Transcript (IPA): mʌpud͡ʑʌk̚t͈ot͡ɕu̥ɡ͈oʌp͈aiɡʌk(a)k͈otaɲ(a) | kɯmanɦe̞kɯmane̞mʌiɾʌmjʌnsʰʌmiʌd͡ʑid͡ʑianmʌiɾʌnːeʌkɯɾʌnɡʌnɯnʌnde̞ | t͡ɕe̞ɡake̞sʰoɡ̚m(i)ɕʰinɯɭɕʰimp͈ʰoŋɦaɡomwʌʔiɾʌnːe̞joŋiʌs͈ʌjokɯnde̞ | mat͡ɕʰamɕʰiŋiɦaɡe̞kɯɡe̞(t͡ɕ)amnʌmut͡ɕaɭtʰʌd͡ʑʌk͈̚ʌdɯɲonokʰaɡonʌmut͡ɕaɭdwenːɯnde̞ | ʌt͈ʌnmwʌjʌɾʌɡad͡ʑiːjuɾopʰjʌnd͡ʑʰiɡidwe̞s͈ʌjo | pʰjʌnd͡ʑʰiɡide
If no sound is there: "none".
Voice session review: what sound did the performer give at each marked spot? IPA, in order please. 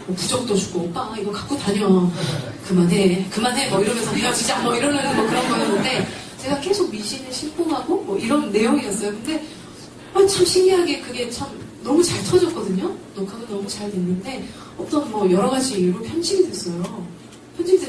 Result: a, ʌ, i, t͡ɕʰ

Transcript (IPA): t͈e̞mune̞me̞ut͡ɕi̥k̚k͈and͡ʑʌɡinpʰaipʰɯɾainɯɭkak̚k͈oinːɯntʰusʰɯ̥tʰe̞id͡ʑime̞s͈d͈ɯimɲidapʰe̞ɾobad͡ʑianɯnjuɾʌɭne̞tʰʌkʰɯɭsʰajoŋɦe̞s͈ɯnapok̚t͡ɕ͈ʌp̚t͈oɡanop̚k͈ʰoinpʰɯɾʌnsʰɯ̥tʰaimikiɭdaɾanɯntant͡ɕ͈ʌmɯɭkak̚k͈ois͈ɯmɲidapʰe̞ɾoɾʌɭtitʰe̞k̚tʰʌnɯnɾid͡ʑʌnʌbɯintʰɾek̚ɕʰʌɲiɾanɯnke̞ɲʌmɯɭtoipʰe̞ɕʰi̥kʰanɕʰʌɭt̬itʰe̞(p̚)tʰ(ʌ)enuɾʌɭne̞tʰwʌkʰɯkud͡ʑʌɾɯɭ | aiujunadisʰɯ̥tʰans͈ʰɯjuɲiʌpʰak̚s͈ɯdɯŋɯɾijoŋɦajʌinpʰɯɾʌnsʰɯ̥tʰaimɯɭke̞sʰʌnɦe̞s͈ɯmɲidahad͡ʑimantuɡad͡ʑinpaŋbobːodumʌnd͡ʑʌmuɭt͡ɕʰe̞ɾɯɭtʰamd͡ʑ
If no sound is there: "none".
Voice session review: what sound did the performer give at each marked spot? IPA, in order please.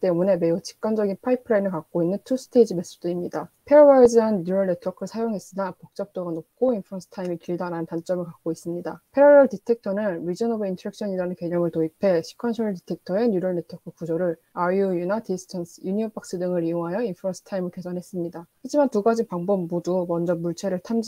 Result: k̚, ʌ

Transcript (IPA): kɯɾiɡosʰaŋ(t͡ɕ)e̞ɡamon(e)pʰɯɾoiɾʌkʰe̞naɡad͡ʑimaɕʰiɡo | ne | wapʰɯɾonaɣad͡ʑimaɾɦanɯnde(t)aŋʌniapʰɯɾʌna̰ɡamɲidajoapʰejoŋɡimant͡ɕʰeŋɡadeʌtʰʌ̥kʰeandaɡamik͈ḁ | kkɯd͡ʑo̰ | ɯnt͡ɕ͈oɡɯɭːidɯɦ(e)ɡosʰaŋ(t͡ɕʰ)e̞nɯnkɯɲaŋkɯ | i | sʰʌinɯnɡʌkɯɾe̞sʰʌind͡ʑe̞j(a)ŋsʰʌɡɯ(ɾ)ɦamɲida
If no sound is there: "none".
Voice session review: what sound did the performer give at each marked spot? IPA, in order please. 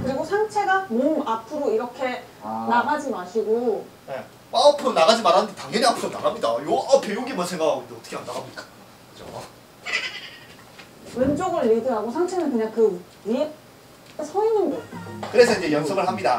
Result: t͡ɕʰ, a, t, a, t͡ɕʰ, ʌ, ɭ

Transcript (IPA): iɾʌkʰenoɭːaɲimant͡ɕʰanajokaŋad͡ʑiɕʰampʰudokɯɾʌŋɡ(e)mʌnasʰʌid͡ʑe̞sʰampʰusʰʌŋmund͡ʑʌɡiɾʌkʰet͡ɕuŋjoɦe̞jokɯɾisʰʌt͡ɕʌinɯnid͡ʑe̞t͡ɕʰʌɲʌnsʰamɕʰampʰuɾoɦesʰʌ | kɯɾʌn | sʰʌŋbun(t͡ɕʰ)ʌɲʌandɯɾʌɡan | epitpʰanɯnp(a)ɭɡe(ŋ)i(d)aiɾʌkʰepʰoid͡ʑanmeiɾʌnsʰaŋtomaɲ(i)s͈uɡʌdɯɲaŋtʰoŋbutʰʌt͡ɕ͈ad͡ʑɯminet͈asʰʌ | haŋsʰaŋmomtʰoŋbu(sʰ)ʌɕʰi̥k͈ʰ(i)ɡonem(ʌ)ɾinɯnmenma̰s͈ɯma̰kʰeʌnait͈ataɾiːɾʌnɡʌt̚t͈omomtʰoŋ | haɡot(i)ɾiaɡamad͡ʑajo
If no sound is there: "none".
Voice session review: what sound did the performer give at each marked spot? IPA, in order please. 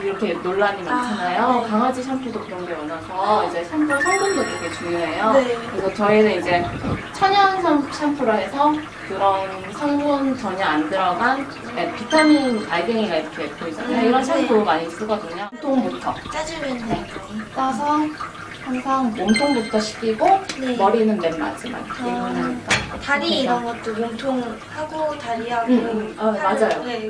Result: e, t͡ɕ, a, ŋ, ɡ, i, tʰ, i, ʌ, a

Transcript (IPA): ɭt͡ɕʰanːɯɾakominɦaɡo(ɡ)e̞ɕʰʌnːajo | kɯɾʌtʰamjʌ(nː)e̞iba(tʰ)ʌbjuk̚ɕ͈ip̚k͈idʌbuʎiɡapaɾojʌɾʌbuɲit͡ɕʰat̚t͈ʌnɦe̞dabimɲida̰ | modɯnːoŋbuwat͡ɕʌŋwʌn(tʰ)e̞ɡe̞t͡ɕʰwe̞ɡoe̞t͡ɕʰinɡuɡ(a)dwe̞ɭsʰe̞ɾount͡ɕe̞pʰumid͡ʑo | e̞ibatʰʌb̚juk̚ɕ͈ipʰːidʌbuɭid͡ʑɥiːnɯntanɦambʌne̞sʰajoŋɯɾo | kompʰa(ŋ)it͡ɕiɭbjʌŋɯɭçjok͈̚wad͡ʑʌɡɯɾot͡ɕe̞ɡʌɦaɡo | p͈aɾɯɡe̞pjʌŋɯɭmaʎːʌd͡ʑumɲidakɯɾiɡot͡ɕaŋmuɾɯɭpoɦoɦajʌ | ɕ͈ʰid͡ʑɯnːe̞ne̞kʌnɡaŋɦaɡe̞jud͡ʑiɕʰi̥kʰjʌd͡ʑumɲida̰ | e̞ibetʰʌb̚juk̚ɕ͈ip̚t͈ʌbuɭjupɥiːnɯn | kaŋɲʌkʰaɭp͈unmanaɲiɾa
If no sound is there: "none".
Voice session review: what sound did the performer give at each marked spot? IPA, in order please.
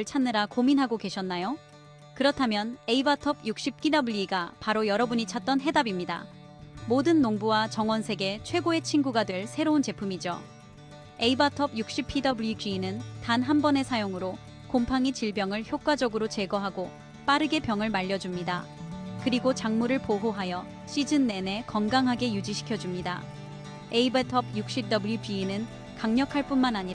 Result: k, n, tʰ, sʰ, a, ŋ

